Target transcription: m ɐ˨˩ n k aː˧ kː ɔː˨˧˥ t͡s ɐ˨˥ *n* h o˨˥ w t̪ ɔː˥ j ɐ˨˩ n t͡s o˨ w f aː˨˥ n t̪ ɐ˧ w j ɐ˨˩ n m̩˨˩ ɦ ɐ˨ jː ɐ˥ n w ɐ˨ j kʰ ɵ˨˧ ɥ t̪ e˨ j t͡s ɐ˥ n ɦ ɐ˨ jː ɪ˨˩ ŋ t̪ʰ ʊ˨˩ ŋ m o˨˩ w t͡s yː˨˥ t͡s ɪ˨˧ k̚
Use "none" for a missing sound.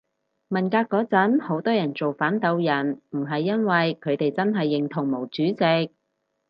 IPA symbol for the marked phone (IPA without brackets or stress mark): n